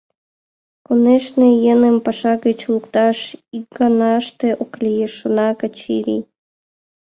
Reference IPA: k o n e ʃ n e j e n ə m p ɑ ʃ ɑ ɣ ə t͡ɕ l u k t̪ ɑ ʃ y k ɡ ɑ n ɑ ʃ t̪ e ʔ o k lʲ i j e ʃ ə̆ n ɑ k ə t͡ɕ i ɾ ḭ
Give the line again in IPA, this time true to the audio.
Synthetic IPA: k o n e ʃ n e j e n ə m p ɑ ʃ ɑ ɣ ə t͡ɕ l u k t̪ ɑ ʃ i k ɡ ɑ n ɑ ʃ t̪ e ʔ o k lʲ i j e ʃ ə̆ n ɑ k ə t͡ɕ i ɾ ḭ